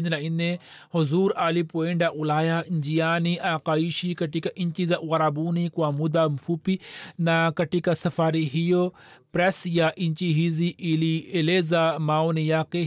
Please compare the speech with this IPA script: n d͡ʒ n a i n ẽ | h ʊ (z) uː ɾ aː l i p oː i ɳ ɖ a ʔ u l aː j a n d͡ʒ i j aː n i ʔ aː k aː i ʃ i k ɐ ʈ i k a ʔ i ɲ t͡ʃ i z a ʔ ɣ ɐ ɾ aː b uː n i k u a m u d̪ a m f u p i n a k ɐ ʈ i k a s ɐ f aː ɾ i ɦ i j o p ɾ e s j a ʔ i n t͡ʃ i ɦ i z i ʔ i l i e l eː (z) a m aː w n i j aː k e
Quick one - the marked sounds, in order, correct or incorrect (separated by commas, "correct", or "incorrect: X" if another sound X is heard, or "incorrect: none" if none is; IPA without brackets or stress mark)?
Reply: correct, correct